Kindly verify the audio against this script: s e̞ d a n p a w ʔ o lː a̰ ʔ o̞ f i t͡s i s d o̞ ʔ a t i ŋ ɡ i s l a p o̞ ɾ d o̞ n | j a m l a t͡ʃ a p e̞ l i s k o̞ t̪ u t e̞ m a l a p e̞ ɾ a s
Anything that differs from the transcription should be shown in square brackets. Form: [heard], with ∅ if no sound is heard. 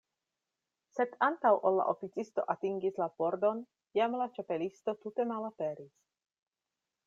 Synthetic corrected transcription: s e̞ d a n [t] a w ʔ o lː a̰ ʔ o̞ f i t͡s i s [t] o̞ ʔ a t i ŋ ɡ i s l a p o̞ ɾ d o̞ n | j a m l a t͡ʃ a p e̞ l i s [t] o̞ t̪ u t e̞ m a l a p e̞ ɾ [i] s